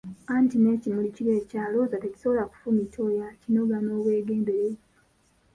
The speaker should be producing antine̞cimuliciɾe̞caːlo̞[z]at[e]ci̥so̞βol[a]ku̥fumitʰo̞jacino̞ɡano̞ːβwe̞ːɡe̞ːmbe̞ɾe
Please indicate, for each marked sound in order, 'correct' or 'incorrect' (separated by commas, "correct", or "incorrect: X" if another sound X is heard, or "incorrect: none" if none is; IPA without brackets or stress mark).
correct, correct, correct